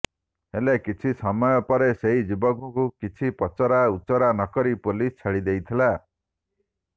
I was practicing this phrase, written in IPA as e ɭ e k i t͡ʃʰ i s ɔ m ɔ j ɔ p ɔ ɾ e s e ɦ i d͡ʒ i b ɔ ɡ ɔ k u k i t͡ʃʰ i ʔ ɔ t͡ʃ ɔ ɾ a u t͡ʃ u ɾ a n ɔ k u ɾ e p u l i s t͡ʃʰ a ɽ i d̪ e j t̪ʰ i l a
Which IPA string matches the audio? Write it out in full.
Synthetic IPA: e l e k i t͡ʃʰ i s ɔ m ɔ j ɔ p ɔ ɾ e s e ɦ i d͡ʒ i b ɔ ɡ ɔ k u k i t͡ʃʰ i p ɔ t͡ʃ ɔ ɾ a u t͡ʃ ɔ ɾ a n ɔ k ɔ ɾ i p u l i s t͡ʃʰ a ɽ i d̪ e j t̪ʰ i l a